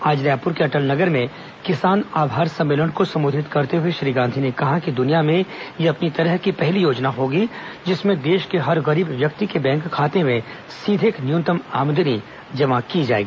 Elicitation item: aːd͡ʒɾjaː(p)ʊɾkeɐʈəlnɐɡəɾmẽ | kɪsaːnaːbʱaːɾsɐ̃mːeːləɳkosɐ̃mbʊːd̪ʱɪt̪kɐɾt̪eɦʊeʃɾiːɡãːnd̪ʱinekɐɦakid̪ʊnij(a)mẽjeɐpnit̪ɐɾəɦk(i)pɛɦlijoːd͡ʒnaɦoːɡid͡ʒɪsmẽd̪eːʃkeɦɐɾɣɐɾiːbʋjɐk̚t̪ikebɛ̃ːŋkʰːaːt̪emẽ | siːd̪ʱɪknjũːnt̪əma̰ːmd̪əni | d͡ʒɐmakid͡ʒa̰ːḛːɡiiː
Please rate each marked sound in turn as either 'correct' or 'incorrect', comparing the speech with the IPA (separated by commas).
correct, correct, correct